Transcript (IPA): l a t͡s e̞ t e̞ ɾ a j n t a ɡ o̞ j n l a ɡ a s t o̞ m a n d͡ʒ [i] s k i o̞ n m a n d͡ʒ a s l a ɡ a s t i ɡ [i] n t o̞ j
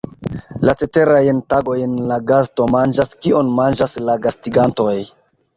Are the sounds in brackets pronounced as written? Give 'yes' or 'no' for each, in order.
no, no

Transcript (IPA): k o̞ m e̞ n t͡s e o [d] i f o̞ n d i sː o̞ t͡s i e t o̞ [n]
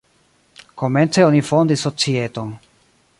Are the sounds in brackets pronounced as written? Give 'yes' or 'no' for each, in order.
no, yes

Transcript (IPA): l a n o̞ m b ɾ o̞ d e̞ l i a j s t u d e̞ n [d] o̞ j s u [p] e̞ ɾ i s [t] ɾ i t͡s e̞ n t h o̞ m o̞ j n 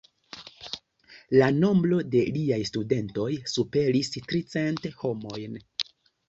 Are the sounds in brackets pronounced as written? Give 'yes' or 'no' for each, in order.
no, yes, yes

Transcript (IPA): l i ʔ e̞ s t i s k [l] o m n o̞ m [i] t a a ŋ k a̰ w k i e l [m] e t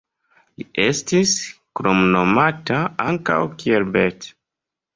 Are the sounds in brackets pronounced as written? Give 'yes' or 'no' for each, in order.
no, no, no

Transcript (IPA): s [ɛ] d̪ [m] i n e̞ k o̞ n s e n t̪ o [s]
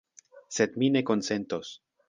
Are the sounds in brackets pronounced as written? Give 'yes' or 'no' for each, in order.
no, yes, yes

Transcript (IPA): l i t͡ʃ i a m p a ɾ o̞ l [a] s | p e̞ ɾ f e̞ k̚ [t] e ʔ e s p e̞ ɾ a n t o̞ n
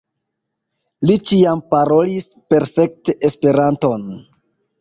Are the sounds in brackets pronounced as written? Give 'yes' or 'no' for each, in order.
no, yes

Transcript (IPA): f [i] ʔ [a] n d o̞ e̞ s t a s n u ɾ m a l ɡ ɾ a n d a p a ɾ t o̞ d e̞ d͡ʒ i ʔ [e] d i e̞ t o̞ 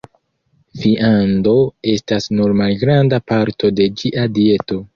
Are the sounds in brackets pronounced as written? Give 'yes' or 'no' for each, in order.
yes, yes, no

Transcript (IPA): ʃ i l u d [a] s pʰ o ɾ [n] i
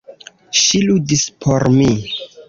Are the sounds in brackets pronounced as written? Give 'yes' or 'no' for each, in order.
no, no

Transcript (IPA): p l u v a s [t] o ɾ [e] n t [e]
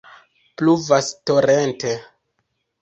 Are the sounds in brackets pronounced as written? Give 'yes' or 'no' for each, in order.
yes, yes, yes

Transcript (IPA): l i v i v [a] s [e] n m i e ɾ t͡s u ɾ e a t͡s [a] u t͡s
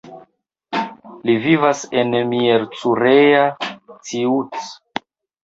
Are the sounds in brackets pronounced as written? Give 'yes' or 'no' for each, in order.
yes, yes, no

